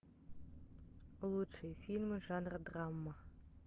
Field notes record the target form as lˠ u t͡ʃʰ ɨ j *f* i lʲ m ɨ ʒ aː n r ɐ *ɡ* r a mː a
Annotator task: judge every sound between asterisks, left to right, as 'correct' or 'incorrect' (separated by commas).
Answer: correct, incorrect